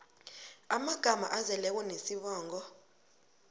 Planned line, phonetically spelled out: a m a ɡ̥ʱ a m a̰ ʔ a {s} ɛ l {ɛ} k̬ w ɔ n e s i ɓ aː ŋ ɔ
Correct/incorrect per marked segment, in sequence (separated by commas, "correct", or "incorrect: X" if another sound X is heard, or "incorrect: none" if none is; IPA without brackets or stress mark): incorrect: z, correct